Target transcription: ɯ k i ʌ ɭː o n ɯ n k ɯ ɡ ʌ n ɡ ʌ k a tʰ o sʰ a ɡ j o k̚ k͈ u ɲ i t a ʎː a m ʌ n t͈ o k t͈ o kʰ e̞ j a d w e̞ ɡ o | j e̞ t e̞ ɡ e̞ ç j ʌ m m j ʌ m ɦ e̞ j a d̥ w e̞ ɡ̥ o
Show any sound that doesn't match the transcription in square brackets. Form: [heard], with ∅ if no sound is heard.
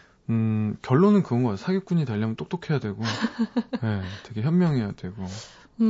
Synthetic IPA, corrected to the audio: ɯ k [j] ʌ ɭː o n ɯ n k ɯ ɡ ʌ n ɡ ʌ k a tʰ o sʰ a ɡ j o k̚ k͈ u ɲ i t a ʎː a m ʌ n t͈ o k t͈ o kʰ e̞ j a d w e̞ ɡ o | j e̞ t e̞ ɡ e̞ ç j ʌ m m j ʌ [ŋ] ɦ e̞ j a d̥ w e̞ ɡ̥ o